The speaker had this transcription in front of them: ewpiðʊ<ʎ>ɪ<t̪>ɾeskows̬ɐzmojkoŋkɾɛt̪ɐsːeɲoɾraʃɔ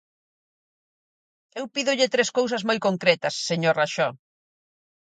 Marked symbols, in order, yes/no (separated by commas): yes, yes